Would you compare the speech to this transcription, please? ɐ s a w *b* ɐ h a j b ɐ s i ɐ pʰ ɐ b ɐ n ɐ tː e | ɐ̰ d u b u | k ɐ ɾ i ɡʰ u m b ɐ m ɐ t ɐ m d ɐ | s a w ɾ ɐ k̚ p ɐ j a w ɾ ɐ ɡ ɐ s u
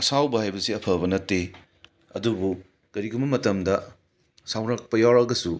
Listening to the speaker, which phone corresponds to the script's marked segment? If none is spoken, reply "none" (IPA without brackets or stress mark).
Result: b